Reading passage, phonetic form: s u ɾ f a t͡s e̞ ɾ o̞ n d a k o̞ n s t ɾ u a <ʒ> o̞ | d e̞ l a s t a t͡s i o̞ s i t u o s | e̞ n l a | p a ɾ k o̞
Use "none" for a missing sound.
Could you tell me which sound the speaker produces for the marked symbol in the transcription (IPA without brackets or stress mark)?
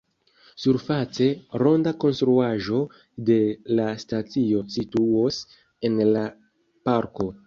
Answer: ʒ